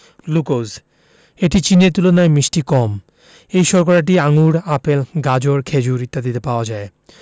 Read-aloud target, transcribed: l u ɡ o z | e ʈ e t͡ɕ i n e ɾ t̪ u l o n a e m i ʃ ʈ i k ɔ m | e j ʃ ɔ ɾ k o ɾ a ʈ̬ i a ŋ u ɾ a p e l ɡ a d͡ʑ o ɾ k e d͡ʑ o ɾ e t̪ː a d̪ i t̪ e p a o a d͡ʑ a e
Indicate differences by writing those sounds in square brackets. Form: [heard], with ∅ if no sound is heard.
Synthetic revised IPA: l u [k] o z | e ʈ [i] t͡ɕ i n e ɾ t̪ u l o n a e m i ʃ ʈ i k ɔ m | e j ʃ ɔ ɾ k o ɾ a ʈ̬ i a ŋ u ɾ a p e l ɡ a d͡ʑ o ɾ [kʰ] e d͡ʑ [u] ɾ [i] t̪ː a d̪ i t̪ e p a o a d͡ʑ a e